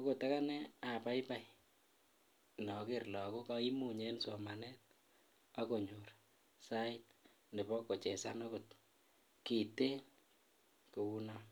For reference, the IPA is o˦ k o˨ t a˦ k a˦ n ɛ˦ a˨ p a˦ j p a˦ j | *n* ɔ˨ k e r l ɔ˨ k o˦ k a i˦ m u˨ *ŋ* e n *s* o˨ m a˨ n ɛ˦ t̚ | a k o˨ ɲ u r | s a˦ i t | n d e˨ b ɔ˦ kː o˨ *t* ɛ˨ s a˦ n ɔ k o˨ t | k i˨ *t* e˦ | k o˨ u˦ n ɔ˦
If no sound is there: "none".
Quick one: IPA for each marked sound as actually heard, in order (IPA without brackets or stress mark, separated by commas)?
n, ɲ, s, t͡ʃ, t